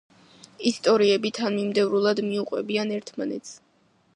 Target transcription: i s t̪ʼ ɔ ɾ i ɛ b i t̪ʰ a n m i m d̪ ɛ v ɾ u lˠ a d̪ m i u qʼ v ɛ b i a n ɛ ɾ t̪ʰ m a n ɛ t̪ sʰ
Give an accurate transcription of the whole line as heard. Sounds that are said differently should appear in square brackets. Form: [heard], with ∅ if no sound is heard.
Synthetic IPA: i s t̪ʼ ɔ ɾ i ɛ b i t̪ʰ a n m i m d̪ ɛ v ɾ u lˠ a d̪ m i u qʼ [w] ɛ b i a n ɛ ɾ t̪ʰ m a n ɛ t̪ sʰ

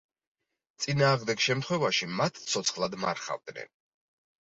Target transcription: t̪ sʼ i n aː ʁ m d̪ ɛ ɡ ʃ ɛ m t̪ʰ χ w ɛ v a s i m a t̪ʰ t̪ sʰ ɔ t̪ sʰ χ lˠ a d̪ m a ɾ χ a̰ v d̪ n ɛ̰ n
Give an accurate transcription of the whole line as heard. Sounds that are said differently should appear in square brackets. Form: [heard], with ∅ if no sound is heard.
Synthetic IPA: t̪ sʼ i n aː ʁ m d̪ ɛ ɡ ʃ ɛ m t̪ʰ χ w ɛ v a [ʃ] i m a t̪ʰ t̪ sʰ ɔ t̪ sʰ χ lˠ a d̪ m a ɾ χ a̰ v d̪ n ɛ̰ n

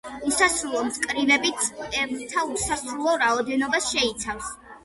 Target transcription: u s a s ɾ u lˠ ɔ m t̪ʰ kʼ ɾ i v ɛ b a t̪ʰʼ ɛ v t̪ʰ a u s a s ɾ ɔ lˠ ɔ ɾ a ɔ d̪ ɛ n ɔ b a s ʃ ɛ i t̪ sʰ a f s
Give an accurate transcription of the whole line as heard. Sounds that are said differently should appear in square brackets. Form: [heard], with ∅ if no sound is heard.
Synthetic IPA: u s a s ɾ u lˠ ɔ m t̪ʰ kʼ ɾ i v ɛ b [i] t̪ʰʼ ɛ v t̪ʰ a u s a s ɾ [u] lˠ ɔ ɾ a ɔ d̪ ɛ n ɔ b a s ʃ ɛ i t̪ sʰ a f s

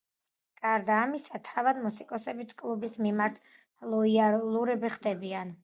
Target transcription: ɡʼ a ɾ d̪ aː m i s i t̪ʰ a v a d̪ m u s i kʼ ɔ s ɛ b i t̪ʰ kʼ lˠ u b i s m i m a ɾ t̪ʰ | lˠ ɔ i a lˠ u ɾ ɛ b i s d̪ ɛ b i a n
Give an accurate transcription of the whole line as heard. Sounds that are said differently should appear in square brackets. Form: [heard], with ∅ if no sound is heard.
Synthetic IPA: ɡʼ a ɾ d̪ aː m i s [a] t̪ʰ a v a d̪ m u s i kʼ ɔ s ɛ b i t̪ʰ kʼ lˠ u b i s m i m a ɾ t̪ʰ | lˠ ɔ i a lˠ u ɾ ɛ b i [χ] d̪ ɛ b i a n

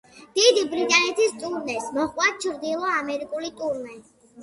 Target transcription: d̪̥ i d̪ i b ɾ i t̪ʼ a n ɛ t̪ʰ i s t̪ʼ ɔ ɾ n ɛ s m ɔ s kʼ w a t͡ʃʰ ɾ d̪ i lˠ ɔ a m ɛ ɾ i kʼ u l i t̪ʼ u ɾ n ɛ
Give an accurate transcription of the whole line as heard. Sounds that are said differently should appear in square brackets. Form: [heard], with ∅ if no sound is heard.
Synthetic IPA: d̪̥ i d̪ i b ɾ i t̪ʼ a n ɛ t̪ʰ i s t̪ʼ [u] ɾ n ɛ s m ɔ [χ] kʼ w a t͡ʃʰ ɾ d̪ i lˠ ɔ a m ɛ ɾ i kʼ u l i t̪ʼ u ɾ n ɛ

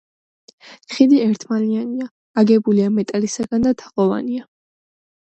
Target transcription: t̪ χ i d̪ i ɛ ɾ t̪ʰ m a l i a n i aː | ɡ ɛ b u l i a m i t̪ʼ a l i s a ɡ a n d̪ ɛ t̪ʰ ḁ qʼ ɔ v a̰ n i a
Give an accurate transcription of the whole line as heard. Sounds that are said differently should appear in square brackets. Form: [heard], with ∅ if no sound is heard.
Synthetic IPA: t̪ χ i d̪ i ɛ ɾ t̪ʰ m a l i a n i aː | ɡ ɛ b u l i a m [ɛ] t̪ʼ a l i s a ɡ a n d̪ [a] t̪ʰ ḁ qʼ ɔ v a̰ n i a

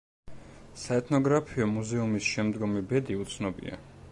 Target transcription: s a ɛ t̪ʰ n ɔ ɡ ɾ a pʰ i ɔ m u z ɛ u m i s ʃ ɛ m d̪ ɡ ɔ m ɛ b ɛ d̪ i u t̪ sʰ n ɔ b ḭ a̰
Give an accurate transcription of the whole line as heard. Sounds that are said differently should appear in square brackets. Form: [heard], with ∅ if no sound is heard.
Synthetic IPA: s a ɛ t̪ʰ n ɔ ɡ ɾ a pʰ i ɔ m u z ɛ u m i s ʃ ɛ m d̪ ɡ ɔ m [i] b ɛ d̪ i u t̪ sʰ n ɔ b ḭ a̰

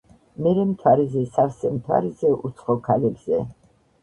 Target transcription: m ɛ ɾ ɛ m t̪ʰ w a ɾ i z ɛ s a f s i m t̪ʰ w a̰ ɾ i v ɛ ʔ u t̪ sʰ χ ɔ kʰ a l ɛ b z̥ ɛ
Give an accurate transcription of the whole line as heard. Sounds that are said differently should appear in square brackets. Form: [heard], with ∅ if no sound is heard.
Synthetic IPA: m ɛ ɾ ɛ m t̪ʰ w a ɾ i z ɛ s a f s [ɛ] m t̪ʰ w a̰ ɾ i [z] ɛ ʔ u t̪ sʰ χ ɔ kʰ a l ɛ b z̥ ɛ

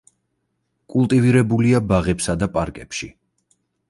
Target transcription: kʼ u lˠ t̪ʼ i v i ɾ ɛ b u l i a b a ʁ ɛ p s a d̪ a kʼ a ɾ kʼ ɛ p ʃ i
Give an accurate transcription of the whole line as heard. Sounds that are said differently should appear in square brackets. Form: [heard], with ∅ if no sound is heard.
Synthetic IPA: kʼ u lˠ t̪ʼ i v i ɾ ɛ b u l i a b a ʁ ɛ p s a d̪ a [pʼ] a ɾ kʼ ɛ p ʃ i

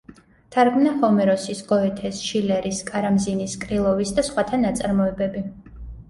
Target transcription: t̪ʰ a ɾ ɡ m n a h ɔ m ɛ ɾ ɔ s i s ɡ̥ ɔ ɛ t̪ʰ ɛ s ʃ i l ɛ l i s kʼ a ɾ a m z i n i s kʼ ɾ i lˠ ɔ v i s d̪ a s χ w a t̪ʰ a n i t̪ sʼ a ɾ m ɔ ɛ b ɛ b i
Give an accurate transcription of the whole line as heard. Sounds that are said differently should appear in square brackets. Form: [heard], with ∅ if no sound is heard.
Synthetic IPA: t̪ʰ a ɾ ɡ m n a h ɔ m ɛ ɾ ɔ s i s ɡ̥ ɔ ɛ t̪ʰ ɛ s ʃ i l ɛ [ɾ] i s kʼ a ɾ a m z i n i s kʼ ɾ i lˠ ɔ v i s d̪ a s χ w a t̪ʰ a n [a] t̪ sʼ a ɾ m ɔ ɛ b ɛ b i

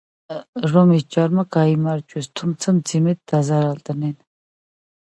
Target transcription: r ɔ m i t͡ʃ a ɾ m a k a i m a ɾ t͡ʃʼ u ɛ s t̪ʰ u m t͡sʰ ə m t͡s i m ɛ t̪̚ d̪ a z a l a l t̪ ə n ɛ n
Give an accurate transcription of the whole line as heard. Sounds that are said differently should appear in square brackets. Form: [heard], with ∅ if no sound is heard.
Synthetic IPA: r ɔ m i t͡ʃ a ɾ m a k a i m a ɾ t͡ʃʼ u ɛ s t̪ʰ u m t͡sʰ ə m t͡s i m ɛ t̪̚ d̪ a z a [ɾ] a l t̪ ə n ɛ n

